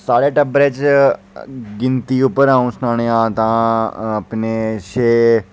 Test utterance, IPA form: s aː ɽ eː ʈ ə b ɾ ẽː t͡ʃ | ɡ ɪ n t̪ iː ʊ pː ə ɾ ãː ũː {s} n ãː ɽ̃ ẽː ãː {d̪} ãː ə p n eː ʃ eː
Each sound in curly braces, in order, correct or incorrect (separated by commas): correct, incorrect